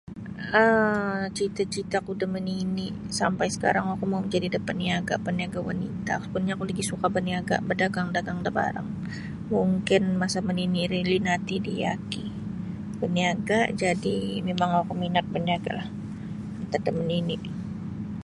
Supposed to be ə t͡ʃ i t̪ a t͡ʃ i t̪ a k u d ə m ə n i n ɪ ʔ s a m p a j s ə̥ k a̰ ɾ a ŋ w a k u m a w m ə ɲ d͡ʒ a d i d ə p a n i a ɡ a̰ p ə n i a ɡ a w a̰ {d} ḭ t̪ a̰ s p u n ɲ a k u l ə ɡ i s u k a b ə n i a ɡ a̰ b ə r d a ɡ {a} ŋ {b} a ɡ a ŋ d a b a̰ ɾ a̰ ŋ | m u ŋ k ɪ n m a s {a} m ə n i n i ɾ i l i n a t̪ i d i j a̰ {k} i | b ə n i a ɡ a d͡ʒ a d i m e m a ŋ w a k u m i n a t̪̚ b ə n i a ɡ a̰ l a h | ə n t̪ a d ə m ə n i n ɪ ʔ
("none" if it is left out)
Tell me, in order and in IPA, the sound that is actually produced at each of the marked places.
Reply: n, a, d, a, k

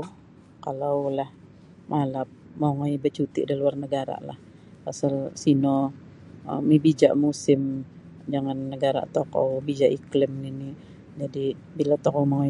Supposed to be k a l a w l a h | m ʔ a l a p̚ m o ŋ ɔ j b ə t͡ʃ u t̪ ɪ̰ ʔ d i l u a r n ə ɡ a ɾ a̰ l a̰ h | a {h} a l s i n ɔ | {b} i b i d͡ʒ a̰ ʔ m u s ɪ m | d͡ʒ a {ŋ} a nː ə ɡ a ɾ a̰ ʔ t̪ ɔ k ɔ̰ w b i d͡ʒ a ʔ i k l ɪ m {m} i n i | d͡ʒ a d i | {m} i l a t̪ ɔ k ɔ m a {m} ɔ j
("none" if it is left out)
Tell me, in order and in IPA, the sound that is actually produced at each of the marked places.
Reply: s, m, ŋ, n, b, ŋ

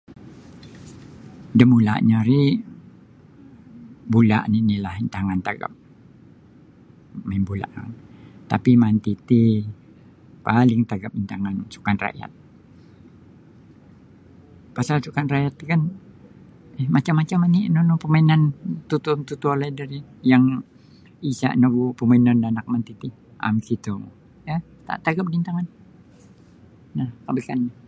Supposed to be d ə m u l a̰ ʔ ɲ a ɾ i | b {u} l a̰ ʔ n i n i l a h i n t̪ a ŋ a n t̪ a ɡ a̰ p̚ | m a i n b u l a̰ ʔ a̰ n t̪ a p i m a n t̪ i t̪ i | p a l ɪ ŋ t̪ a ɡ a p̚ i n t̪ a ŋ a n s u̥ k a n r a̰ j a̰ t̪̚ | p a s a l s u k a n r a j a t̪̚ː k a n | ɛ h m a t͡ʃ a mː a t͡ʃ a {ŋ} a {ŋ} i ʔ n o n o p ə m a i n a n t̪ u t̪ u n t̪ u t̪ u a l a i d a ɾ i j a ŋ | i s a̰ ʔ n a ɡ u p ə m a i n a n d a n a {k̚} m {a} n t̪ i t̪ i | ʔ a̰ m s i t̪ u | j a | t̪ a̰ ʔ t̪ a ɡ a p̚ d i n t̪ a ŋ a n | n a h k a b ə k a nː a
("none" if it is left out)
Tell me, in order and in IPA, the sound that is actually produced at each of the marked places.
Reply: u, m, n, k̚, a

